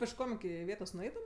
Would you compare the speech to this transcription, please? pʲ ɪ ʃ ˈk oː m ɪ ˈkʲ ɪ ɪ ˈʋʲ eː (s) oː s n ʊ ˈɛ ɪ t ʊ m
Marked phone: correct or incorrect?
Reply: incorrect